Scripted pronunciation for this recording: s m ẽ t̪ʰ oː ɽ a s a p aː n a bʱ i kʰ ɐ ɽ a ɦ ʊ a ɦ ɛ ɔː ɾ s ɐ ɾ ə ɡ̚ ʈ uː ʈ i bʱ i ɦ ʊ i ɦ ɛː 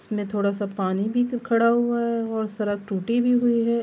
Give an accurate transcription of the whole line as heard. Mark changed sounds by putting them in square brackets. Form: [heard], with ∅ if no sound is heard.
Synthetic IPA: s m ẽ t̪ʰ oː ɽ a s a p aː n [i] bʱ i kʰ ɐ ɽ a ɦ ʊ a ɦ ɛ ɔː ɾ s ɐ ɾ ə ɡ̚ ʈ uː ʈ i bʱ i ɦ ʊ i ɦ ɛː